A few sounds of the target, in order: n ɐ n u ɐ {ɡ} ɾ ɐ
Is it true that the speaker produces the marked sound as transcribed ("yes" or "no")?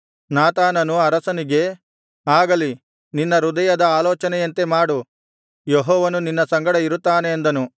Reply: no